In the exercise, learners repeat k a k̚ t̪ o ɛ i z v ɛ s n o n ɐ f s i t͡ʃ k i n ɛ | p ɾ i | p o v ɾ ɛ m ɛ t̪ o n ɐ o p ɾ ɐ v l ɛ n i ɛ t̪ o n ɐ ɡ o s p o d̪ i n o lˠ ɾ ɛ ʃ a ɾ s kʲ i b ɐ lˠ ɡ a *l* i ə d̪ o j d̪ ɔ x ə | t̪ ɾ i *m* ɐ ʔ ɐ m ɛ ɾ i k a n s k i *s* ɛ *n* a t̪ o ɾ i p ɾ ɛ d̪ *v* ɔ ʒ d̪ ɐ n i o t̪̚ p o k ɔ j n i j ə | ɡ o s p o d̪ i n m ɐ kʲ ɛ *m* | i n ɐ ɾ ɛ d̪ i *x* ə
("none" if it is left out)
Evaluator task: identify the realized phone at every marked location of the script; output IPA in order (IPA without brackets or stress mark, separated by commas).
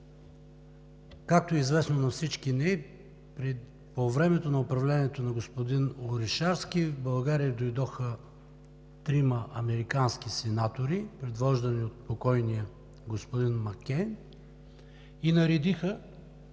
ɾ, m, s, n, v, n, x